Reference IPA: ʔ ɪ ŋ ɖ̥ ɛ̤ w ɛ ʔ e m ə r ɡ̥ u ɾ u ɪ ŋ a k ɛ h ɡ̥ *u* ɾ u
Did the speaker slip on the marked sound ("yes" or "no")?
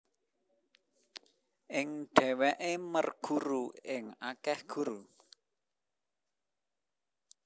no